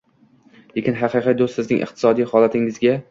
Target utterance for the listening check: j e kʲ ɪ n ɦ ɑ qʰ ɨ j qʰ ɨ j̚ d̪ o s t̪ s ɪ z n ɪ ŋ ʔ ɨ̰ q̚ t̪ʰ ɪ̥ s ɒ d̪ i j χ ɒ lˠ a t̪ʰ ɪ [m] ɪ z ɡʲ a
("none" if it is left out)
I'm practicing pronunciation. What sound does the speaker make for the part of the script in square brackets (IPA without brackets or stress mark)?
ŋ